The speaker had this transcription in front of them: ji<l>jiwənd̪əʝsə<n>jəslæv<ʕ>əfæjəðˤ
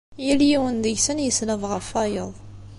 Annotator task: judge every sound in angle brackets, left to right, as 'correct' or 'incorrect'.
correct, correct, incorrect: ʁ

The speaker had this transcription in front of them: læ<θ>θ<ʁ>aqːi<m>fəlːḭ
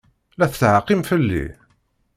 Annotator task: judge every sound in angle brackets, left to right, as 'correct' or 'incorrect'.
correct, incorrect: ʕ, correct

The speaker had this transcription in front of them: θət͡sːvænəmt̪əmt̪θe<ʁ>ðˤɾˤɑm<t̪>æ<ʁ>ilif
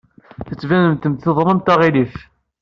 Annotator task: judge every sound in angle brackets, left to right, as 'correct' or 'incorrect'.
incorrect: none, correct, correct

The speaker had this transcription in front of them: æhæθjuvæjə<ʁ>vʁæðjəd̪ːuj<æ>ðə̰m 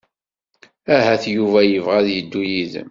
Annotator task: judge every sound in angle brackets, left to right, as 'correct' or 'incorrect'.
incorrect: none, incorrect: i

